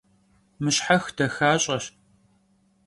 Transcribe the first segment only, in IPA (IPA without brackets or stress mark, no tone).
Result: m